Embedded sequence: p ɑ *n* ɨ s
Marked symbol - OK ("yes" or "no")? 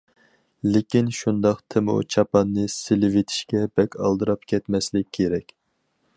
no